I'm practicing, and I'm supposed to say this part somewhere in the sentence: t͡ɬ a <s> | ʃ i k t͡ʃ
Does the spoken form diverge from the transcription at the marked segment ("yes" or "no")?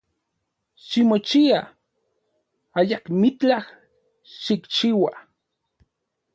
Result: yes